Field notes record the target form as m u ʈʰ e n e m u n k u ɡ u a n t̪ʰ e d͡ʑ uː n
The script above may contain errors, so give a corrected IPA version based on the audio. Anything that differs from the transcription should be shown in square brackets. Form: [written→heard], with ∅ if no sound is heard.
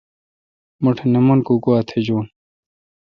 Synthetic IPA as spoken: m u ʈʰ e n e m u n k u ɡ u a [n→∅] t̪ʰ e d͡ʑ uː n